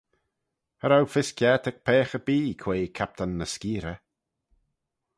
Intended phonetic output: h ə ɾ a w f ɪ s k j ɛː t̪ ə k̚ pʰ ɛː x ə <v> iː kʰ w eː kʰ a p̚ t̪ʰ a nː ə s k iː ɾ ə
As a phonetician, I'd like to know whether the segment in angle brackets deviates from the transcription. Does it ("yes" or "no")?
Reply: yes